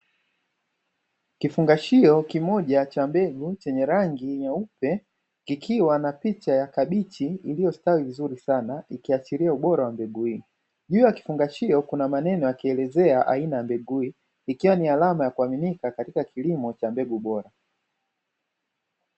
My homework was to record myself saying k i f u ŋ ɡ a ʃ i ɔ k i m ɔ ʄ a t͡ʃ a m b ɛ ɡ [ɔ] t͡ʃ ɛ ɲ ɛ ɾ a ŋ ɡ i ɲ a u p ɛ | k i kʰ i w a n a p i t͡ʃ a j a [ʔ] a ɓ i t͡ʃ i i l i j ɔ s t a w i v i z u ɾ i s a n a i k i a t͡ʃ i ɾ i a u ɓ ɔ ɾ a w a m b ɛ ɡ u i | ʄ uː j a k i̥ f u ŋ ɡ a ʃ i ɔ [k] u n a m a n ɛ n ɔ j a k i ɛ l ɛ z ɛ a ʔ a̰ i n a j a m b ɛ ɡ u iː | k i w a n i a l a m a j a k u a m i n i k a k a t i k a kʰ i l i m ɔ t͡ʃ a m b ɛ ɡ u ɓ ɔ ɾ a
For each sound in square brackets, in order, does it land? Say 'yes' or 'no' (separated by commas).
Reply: no, no, yes